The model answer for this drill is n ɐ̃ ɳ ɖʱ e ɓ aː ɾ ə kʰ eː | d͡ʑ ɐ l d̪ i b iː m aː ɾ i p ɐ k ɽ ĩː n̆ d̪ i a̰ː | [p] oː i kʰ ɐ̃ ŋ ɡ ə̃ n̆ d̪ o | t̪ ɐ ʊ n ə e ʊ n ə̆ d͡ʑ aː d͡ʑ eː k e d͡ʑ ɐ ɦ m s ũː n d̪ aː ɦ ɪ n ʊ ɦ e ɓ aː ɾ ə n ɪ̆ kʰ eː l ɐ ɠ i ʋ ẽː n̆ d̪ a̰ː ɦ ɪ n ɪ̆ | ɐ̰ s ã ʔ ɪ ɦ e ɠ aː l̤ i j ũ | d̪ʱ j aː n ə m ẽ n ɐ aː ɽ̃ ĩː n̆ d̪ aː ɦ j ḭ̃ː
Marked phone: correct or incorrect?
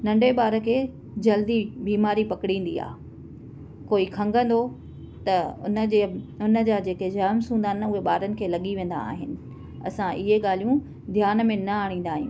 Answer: incorrect